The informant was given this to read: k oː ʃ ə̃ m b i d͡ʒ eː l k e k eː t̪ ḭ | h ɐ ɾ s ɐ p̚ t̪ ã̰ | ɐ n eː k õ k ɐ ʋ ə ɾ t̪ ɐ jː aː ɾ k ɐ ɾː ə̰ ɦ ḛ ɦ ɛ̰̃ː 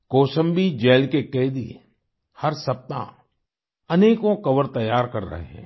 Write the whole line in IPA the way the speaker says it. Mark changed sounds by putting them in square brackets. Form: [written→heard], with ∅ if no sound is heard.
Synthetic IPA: k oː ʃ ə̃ m b i d͡ʒ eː l k e k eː [t̪→d̪] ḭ | h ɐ ɾ s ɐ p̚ t̪ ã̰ | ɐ n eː k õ k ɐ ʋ ə ɾ t̪ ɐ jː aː ɾ k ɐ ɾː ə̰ ɦ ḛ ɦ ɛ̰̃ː